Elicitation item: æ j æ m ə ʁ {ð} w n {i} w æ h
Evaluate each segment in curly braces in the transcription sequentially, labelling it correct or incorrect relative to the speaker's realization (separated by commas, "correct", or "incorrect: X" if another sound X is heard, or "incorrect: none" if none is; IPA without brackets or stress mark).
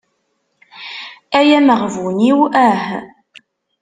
incorrect: v, correct